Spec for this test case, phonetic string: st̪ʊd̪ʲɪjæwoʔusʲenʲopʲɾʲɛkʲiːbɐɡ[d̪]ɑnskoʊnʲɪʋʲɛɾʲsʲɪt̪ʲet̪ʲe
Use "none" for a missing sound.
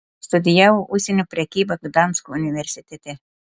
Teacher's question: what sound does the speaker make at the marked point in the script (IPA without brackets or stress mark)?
d̪